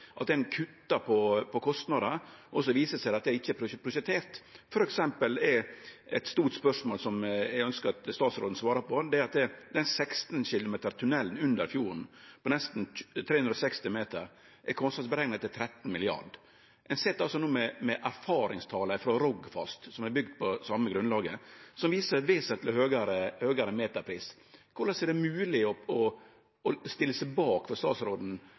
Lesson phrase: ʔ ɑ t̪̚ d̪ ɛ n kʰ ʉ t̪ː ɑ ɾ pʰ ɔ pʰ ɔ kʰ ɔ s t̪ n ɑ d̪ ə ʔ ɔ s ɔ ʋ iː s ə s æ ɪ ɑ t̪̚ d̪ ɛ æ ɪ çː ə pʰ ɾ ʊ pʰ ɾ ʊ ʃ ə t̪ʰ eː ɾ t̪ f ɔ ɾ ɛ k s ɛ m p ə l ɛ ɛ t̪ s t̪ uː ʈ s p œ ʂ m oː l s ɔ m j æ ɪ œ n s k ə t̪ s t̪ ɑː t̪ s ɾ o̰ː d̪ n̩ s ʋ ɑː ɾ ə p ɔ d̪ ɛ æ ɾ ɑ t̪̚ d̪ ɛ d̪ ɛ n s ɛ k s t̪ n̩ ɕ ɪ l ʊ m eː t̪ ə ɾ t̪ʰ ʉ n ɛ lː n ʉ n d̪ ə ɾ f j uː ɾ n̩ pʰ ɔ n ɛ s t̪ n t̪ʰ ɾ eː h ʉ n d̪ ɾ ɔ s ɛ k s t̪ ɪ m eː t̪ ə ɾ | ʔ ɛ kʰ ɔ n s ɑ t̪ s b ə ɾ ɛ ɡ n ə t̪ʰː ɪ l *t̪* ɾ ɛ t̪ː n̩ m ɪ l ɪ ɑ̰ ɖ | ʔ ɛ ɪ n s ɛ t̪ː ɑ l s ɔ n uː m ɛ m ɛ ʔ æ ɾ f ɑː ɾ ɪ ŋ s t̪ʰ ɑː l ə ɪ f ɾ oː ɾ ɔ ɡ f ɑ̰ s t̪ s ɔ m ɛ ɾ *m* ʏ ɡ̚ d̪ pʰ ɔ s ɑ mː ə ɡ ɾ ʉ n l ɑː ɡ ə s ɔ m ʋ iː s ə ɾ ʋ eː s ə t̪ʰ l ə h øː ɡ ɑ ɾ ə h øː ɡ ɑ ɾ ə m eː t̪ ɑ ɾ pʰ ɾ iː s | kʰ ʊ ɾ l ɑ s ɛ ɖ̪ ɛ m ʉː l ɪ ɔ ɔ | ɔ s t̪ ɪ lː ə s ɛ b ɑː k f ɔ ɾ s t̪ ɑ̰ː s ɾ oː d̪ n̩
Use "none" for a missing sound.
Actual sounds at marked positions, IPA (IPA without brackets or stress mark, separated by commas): t̪ʰ, b